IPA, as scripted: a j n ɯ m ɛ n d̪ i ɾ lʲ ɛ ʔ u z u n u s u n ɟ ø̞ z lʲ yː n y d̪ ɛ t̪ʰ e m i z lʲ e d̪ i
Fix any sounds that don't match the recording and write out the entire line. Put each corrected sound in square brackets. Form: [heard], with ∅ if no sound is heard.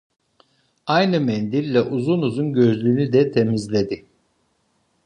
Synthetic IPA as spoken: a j n ɯ m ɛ n d̪ i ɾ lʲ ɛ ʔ u z u n u [z] u n ɟ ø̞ z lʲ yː n y d̪ ɛ t̪ʰ e m i z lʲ e d̪ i